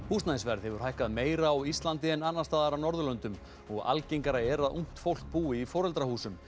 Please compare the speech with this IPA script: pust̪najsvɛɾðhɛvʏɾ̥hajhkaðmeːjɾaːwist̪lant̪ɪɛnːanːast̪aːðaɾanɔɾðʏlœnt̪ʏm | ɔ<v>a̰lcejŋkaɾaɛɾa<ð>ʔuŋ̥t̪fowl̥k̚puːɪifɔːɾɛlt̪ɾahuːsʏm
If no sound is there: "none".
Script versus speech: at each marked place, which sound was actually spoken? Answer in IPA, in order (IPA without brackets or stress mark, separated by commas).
ɣ, ð